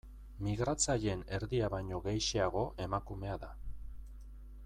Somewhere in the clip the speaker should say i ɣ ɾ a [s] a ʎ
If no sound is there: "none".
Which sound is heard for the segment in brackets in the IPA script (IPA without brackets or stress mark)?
t͡s